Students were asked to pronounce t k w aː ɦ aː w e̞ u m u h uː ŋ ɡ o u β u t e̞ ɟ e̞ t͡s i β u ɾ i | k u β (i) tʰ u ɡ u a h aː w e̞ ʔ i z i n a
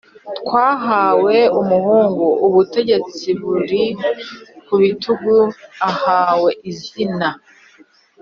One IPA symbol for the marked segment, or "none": i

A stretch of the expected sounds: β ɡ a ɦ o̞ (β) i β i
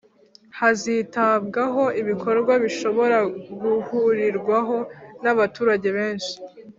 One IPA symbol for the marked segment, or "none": none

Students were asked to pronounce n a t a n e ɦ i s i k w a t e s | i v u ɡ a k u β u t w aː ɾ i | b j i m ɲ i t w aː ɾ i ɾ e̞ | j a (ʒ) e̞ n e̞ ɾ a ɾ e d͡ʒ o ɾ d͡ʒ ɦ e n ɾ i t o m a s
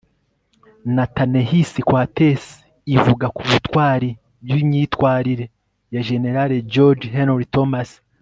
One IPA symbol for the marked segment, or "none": ʒ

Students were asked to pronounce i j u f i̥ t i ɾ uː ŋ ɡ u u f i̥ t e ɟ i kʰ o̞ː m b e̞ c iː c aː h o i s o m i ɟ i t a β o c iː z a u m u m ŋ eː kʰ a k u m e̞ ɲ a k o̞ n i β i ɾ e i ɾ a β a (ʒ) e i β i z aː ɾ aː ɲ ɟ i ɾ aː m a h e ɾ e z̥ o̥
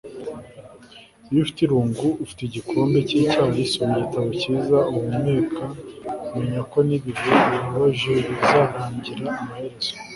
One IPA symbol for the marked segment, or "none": ʒ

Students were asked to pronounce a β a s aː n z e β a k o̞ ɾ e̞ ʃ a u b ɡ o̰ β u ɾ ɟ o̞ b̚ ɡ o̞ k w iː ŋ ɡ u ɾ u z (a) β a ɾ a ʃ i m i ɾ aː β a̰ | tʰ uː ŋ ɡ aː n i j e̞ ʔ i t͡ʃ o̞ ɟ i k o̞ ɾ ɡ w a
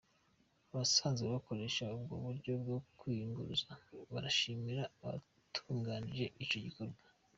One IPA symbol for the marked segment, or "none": a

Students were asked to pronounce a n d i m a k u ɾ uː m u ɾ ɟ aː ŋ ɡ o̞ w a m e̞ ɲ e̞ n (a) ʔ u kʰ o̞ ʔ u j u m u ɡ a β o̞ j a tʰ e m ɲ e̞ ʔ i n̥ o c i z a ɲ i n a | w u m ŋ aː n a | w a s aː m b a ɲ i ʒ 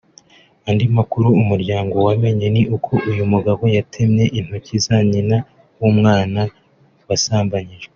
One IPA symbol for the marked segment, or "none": i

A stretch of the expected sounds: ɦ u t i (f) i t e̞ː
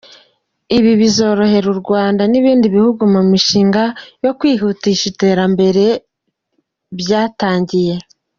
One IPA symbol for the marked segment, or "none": ʃ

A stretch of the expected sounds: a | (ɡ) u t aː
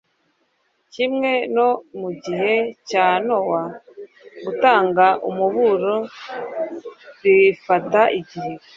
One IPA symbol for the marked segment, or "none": ɡ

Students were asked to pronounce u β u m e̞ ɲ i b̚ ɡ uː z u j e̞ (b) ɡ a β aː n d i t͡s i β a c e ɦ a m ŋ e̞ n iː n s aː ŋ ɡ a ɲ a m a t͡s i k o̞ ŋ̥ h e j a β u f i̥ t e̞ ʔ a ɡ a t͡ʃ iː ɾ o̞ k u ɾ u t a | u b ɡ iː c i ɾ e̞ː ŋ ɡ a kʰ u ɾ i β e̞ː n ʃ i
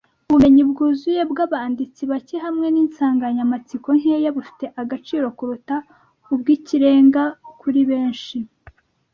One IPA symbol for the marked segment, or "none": b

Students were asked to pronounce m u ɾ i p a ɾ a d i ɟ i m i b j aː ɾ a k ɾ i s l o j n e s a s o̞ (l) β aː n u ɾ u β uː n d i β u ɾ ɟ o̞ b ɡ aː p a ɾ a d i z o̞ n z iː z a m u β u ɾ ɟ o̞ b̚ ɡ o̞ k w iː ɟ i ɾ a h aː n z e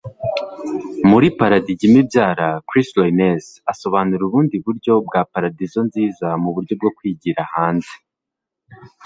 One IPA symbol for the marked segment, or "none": none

